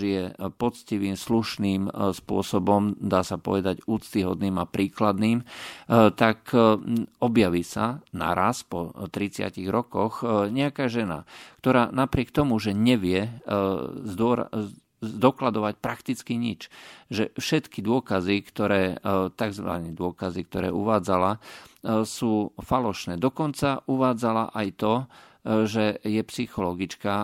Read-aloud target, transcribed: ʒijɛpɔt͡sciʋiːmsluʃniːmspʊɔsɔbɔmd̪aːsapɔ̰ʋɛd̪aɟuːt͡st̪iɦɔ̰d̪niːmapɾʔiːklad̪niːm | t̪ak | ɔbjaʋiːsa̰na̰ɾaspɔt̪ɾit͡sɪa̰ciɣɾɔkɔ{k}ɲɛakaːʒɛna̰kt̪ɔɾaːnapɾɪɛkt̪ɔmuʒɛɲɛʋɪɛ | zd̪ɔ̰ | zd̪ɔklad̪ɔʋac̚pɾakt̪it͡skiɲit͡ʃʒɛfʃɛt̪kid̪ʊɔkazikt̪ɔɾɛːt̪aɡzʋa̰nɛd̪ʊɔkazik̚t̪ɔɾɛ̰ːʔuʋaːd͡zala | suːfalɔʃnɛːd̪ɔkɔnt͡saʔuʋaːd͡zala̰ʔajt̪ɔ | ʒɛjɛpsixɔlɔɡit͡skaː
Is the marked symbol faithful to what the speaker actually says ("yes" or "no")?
no